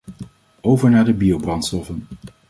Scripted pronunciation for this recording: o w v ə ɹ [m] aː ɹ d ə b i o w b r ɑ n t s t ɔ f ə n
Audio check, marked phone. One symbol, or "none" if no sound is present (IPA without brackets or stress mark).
n